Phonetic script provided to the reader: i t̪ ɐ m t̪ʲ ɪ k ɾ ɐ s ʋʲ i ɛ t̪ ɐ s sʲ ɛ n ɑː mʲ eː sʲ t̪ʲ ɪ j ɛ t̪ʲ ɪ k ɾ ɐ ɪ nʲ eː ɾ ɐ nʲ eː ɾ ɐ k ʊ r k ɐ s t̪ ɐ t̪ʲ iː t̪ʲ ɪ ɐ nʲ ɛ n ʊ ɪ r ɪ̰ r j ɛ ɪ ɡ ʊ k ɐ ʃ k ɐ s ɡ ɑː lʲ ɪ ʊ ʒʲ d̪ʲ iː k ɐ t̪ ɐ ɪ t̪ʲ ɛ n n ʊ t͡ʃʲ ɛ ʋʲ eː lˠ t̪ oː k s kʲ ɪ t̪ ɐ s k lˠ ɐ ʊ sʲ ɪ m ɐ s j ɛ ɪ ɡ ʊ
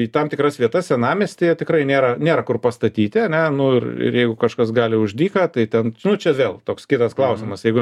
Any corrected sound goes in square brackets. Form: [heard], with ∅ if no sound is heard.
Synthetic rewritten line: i t̪ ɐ m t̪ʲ ɪ k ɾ ɐ s ʋʲ i ɛ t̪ ɐ s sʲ ɛ n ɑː mʲ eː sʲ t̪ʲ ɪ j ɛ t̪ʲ ɪ k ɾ ɐ ɪ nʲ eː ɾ ɐ nʲ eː ɾ ɐ k ʊ r [p] ɐ s t̪ ɐ t̪ʲ iː t̪ʲ ɪ ɐ nʲ ɛ n ʊ ɪ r ɪ̰ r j ɛ ɪ ɡ ʊ k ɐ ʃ k ɐ s ɡ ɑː lʲ ɪ ʊ ʒʲ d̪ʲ iː k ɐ t̪ ɐ ɪ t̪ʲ ɛ n n ʊ t͡ʃʲ ɛ ʋʲ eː lˠ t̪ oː k s kʲ ɪ t̪ ɐ s k lˠ ɐ ʊ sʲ ɪ m ɐ s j ɛ ɪ ɡ ʊ